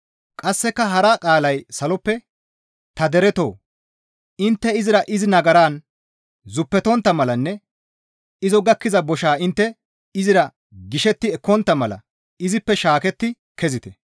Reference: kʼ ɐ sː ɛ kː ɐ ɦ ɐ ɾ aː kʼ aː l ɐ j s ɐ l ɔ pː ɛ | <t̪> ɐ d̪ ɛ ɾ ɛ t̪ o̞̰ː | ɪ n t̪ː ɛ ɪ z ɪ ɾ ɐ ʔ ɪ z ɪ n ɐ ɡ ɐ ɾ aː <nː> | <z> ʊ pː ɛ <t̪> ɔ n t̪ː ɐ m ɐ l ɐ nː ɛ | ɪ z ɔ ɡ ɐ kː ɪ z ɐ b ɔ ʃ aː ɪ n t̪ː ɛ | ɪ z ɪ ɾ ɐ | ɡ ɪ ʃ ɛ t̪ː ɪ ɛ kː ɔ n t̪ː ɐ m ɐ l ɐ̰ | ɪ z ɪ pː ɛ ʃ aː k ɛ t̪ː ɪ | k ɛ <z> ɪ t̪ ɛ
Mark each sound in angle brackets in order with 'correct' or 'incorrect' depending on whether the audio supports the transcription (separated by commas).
correct, incorrect, correct, correct, correct